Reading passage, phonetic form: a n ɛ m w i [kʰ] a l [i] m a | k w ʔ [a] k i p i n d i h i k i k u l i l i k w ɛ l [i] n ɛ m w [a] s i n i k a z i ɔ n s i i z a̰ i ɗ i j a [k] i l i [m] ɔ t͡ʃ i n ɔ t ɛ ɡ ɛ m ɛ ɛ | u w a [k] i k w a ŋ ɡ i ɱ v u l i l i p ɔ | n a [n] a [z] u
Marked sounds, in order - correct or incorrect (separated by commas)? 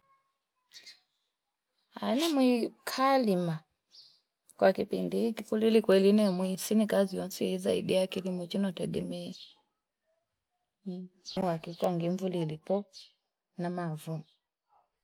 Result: correct, correct, correct, correct, incorrect, correct, correct, correct, incorrect, incorrect